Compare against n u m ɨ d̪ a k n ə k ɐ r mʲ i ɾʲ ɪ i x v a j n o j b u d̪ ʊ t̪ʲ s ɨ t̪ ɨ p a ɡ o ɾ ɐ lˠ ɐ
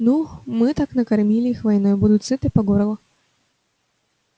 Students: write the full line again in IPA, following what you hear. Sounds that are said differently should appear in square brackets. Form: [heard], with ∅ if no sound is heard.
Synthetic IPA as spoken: n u m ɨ [t̪] a k n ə k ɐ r mʲ i [lʲ] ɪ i x v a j n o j b u d̪ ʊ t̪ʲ s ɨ t̪ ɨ p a ɡ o ɾ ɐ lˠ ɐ